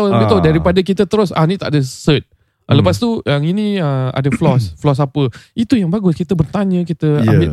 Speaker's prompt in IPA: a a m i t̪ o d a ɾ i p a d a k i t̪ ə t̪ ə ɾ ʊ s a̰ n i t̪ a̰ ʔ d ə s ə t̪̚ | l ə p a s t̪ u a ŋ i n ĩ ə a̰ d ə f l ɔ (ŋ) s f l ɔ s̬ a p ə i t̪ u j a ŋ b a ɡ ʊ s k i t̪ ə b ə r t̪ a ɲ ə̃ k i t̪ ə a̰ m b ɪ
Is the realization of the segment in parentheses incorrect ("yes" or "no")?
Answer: yes